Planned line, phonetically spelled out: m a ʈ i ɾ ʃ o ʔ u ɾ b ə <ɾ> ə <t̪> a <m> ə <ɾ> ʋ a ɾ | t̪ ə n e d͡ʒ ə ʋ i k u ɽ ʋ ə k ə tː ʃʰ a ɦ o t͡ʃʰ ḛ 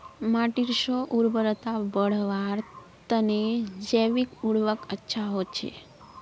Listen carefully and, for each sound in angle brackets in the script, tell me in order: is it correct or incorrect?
correct, correct, incorrect: b, incorrect: ɽ

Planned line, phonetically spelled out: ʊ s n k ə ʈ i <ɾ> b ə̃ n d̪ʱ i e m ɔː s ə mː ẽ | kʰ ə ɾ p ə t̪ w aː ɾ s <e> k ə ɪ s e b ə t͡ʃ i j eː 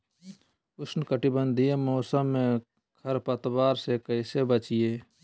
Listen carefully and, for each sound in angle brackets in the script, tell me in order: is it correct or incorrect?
incorrect: none, correct

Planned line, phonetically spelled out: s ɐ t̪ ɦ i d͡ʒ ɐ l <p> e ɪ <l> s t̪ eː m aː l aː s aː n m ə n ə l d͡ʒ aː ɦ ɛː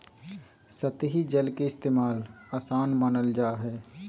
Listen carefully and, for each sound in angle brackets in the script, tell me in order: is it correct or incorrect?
incorrect: k, incorrect: none

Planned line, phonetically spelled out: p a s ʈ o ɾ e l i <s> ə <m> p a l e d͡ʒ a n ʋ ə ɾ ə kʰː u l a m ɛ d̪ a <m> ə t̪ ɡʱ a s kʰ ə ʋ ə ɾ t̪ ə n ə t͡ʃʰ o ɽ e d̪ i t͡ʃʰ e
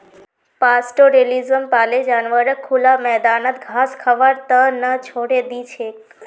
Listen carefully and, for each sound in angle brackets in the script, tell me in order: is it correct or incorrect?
incorrect: z, correct, incorrect: n

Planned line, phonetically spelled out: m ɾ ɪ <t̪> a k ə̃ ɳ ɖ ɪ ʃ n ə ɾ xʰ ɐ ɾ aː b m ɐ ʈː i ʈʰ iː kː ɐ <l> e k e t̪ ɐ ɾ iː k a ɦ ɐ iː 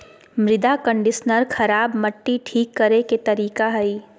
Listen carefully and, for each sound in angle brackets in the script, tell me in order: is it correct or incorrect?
incorrect: d̪, incorrect: ɾ

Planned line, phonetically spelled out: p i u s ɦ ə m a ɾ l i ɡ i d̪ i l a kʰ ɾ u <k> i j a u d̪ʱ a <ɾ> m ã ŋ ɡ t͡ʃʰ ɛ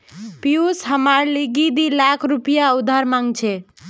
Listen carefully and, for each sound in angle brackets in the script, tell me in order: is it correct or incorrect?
incorrect: p, correct

